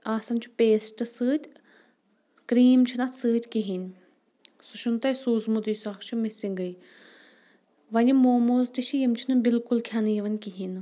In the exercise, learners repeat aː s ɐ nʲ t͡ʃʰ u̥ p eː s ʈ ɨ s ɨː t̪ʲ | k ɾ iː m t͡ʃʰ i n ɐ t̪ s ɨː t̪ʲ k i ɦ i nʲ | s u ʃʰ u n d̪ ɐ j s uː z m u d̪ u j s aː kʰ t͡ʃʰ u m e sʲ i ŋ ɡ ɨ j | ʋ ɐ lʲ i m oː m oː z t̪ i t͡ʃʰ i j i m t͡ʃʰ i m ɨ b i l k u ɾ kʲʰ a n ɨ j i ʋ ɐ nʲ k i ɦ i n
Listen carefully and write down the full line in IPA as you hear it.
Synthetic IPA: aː s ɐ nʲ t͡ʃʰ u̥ p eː s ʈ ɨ s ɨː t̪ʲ | k ɾ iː m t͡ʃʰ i n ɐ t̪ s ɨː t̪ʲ k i ɦ i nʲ | s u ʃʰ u n t̪ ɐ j s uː z m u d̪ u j s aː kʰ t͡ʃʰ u m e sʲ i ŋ ɡ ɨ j | ʋ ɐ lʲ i m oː m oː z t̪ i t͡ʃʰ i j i m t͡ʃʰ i n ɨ b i l k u l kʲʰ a n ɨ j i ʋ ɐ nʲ k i ɦ i n